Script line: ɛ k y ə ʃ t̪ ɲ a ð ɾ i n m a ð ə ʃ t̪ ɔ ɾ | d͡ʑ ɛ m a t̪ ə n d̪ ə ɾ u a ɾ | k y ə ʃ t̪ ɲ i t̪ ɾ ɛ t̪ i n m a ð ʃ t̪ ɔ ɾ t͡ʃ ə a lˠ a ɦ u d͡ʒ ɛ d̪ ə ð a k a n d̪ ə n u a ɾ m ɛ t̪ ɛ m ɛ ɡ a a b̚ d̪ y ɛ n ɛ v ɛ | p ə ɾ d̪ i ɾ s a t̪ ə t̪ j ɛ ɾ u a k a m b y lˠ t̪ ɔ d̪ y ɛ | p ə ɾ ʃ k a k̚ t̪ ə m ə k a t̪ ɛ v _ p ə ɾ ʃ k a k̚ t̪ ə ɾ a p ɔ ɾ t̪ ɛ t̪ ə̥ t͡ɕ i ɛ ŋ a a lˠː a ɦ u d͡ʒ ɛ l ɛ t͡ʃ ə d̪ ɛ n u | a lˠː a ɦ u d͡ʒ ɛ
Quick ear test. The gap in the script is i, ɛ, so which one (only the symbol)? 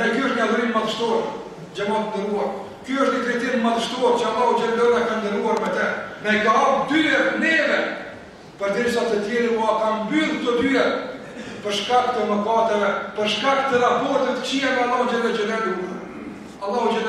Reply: ɛ